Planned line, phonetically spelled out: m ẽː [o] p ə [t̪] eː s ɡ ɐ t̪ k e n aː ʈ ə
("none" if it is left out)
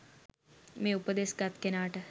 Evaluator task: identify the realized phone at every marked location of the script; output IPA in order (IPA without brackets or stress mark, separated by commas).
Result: u, d̪